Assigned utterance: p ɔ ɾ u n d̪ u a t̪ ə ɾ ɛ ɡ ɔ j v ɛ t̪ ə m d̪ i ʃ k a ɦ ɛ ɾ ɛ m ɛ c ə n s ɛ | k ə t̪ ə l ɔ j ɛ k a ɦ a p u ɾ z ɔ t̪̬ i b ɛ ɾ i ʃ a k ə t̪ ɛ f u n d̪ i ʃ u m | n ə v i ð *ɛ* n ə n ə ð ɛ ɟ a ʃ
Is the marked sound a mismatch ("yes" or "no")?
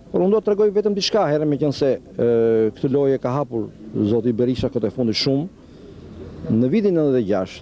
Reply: yes